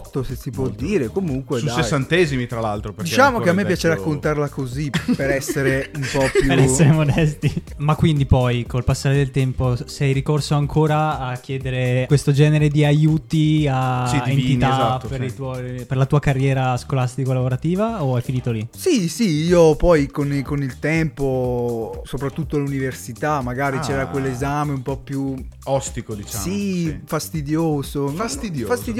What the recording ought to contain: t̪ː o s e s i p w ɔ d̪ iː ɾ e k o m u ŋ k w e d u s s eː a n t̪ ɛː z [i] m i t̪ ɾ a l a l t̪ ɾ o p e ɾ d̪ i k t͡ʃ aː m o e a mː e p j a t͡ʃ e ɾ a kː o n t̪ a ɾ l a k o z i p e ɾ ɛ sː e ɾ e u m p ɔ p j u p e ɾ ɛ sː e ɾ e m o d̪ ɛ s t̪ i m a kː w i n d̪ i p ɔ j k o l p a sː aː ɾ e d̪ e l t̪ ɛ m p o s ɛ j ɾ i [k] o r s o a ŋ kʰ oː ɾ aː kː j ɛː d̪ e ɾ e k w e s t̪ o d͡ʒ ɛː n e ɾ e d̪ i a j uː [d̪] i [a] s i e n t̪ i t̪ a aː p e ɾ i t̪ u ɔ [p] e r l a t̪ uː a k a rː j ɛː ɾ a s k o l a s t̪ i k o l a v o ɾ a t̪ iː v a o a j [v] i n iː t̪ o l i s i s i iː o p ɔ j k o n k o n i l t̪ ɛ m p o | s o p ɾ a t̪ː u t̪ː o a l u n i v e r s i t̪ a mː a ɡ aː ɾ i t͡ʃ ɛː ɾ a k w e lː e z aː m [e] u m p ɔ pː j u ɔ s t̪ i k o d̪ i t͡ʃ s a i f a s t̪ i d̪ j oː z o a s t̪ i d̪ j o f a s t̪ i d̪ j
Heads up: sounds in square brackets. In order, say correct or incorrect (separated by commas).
correct, correct, incorrect, correct, correct, incorrect, correct